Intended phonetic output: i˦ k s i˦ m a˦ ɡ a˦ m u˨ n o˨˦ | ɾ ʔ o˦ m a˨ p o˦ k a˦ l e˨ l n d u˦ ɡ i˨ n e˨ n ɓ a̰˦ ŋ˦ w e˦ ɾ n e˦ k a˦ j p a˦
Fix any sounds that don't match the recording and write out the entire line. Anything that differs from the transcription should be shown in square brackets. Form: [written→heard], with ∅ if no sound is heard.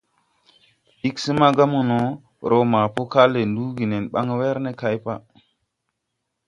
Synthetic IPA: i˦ k s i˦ m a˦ ɡ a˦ m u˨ n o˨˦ | ɾ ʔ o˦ m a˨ p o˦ k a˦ l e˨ [l→∅] n d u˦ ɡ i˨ n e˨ n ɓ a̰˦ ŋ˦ w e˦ ɾ n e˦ k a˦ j p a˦